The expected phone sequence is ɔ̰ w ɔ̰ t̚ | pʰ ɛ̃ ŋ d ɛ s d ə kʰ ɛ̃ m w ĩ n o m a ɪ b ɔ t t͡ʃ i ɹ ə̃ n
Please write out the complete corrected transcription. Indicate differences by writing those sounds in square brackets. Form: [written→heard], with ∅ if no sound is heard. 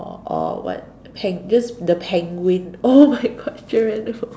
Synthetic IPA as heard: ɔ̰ w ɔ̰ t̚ | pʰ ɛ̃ ŋ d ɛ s d ə [kʰ→pʰ] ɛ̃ [m→ŋ] w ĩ n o m a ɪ [b→ɡ] ɔ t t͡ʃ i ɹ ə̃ n